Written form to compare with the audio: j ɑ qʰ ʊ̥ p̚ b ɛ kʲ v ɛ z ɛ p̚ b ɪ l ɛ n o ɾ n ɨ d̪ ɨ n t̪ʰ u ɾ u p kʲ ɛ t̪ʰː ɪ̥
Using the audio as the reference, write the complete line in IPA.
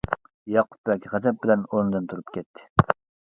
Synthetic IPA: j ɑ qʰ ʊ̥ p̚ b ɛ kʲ ʁ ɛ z ɛ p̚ b ɪ l ɛ n o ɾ n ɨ d̪ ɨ n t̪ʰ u ɾ u p kʲ ɛ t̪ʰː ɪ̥